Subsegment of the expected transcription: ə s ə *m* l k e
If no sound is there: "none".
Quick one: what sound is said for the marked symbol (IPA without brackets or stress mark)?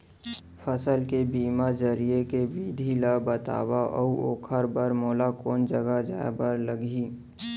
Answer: none